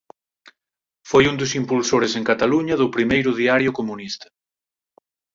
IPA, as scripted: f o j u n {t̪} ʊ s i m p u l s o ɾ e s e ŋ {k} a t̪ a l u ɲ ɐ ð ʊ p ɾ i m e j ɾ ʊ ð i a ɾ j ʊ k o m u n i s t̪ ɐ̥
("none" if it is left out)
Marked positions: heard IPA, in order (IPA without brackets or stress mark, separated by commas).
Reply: d̪, k